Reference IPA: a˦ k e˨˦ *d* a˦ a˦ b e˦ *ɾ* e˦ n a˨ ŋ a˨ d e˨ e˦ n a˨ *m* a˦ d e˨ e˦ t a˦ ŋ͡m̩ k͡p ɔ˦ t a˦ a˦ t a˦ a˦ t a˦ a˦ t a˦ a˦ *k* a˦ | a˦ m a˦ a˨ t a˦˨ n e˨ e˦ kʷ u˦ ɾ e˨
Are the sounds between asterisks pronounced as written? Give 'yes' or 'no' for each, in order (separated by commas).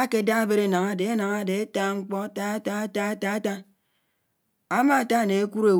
yes, yes, no, no